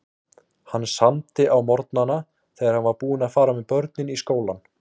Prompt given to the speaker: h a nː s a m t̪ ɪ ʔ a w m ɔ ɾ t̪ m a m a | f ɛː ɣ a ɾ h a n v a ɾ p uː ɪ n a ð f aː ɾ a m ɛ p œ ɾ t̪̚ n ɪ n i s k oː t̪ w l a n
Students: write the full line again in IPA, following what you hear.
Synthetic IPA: h a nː s a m t̪ ɪ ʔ a w m ɔ ɾ t̪ n a n a | θ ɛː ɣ a ɾ h a n v a ɾ p uː ɪ n a ð f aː ɾ a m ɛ p œ ɾ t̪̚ n ɪ n i s k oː w l a n